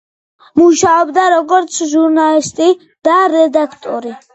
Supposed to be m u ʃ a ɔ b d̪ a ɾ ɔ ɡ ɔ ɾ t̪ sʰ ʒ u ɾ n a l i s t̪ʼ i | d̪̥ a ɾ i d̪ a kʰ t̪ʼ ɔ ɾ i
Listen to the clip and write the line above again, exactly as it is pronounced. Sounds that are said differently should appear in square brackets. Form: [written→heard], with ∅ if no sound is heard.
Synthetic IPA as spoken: m u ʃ a ɔ b d̪ a ɾ ɔ ɡ ɔ ɾ t̪ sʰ ʒ u ɾ n a l i s t̪ʼ i | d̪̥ a ɾ [i→ɛ] d̪ a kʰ t̪ʼ ɔ ɾ i